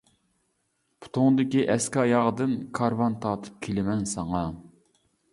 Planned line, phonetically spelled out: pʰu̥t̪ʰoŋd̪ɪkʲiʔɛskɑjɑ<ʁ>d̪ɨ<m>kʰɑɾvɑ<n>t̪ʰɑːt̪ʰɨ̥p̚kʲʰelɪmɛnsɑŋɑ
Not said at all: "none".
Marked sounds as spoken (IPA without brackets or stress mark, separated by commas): ʁ, n, n